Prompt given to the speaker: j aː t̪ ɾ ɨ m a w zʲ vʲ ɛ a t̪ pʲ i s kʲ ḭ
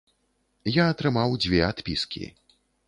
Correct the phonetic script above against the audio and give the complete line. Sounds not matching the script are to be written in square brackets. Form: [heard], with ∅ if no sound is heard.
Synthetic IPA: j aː t̪ ɾ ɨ m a w [d͡zʲ] vʲ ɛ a t̪ pʲ i s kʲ ḭ